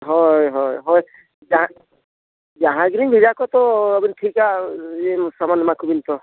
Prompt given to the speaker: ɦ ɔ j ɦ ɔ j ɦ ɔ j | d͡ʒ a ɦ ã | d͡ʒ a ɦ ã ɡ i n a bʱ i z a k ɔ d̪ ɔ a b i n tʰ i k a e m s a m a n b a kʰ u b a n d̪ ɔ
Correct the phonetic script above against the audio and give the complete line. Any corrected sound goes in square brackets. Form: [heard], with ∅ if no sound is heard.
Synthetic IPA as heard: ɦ ɔ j ɦ ɔ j ɦ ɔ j | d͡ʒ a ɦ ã | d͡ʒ a ɦ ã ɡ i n [i] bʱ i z a k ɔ [t̪] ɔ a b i n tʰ i k a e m s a m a n [m] a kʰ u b [i] n [t̪] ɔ